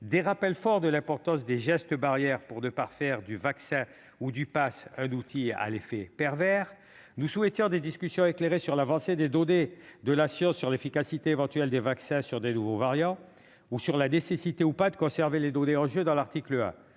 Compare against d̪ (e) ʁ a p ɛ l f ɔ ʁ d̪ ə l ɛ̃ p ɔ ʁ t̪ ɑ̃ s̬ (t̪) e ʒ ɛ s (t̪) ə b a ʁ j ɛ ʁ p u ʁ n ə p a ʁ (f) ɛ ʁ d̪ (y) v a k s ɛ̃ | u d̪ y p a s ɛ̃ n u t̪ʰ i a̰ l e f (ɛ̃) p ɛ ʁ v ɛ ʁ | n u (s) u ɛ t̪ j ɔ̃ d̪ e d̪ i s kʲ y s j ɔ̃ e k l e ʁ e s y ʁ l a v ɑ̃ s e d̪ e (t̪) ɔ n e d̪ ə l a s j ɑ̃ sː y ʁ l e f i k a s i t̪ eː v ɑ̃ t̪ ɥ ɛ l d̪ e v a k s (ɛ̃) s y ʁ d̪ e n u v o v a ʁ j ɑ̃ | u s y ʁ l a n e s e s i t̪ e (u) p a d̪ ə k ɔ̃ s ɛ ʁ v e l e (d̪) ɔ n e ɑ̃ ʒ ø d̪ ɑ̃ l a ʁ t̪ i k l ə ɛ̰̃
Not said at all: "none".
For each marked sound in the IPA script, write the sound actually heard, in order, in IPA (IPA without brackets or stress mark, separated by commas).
e, d̪, t̪, f, y, ɛ, s, d̪, ɛ̃, u, d̪